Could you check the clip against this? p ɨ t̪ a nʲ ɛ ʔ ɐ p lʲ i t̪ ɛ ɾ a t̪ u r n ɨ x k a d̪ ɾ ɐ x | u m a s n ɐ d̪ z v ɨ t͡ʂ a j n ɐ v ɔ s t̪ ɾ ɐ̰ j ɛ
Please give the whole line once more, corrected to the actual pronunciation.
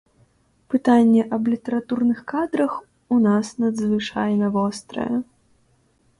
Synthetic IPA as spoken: p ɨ t̪ a nʲː ɛ ʔ ɐ b lʲ i t̪ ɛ ɾ a t̪ u r n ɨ x k a d̪ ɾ ɐ x | u n a s n ɐ d̪ z v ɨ t͡ʂ a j n ɐ v ɔ s t̪ ɾ ɐ̰ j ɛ